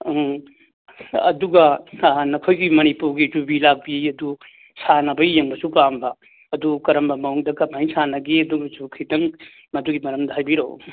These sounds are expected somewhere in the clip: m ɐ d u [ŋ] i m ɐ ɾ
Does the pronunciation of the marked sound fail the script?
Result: yes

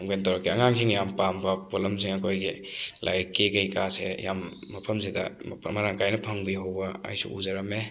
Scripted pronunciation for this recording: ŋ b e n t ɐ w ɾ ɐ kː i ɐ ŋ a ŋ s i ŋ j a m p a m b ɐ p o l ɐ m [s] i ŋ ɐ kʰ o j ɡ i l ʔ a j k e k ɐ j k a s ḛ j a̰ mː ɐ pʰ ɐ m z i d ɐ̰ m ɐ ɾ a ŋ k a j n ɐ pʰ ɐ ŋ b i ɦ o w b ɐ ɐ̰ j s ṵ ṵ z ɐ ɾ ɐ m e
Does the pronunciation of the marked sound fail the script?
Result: no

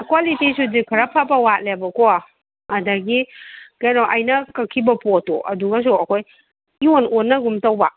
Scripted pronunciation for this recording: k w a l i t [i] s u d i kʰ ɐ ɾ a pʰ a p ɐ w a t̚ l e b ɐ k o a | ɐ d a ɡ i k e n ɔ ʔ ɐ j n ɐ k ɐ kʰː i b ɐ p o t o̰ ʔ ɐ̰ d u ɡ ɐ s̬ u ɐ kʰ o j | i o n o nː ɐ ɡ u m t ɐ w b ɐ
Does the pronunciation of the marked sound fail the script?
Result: no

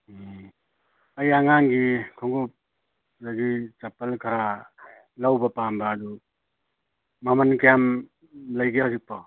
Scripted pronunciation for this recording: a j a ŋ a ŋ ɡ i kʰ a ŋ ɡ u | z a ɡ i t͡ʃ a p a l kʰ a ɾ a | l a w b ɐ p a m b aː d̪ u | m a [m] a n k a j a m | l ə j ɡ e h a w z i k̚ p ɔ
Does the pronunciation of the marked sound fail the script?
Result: no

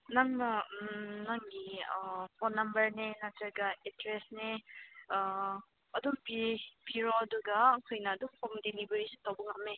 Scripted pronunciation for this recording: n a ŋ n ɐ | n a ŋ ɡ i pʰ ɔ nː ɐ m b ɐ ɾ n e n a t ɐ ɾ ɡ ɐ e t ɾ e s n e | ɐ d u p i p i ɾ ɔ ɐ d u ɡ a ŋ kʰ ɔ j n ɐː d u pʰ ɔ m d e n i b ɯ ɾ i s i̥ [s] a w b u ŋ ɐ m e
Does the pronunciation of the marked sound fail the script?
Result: yes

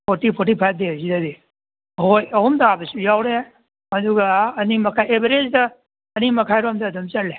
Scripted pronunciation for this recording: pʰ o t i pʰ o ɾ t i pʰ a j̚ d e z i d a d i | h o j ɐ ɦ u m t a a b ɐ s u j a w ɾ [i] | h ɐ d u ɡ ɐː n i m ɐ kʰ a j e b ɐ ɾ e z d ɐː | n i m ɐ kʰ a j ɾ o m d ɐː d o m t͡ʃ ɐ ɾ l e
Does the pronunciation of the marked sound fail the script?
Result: yes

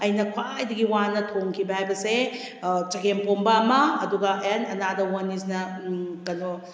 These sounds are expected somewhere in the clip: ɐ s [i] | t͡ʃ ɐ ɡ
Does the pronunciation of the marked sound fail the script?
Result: yes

